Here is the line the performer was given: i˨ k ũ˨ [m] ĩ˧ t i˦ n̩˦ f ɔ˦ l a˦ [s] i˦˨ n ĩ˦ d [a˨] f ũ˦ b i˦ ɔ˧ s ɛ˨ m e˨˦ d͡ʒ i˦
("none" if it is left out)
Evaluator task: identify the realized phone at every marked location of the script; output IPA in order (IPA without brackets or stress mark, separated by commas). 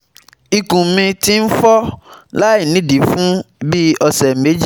m, none, i˨